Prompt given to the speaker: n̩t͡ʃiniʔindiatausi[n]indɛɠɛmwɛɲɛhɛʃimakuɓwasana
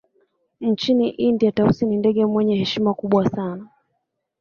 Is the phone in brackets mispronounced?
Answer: no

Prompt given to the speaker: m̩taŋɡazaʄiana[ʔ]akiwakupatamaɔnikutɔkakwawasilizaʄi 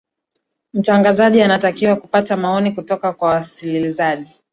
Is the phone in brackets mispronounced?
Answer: yes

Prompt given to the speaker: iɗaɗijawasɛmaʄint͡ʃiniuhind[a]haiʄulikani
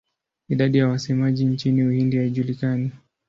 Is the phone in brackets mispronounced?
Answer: yes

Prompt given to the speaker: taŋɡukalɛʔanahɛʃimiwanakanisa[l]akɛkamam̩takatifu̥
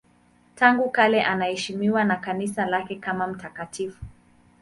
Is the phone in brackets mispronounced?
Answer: no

